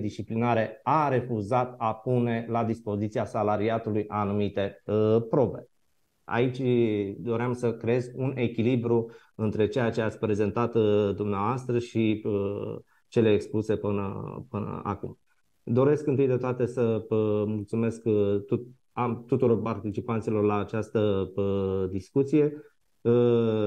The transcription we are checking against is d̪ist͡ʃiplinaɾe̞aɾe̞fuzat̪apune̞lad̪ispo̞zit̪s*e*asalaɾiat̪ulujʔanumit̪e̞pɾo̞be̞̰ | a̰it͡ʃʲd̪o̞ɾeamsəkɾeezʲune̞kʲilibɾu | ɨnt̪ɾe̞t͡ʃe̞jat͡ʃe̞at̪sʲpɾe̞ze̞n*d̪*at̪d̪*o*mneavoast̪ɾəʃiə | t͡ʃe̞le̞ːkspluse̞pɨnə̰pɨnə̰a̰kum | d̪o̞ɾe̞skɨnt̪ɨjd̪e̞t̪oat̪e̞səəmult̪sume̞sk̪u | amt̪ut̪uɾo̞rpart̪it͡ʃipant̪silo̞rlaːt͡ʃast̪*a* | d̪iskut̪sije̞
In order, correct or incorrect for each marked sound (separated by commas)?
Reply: incorrect, incorrect, incorrect, incorrect